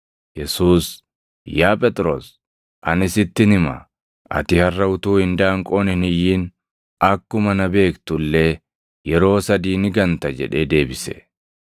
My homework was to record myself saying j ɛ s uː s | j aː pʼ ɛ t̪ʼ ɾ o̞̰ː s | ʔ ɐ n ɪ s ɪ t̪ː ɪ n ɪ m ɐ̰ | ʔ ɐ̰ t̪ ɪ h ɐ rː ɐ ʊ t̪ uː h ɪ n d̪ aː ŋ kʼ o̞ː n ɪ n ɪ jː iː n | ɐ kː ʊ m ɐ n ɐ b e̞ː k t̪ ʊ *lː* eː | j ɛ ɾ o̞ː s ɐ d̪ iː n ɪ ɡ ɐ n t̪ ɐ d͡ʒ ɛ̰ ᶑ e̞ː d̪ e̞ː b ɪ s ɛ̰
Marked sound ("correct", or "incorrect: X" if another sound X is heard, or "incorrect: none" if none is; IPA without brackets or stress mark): correct